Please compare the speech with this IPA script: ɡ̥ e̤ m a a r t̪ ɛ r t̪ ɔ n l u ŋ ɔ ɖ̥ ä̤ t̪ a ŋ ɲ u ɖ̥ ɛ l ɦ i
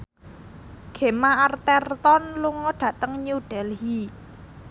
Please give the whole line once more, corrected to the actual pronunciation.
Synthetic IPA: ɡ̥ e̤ m a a r t̪ ɛ r t̪ ɔ n l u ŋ ɔ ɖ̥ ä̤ t̪ ə ŋ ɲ u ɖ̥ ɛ l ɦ i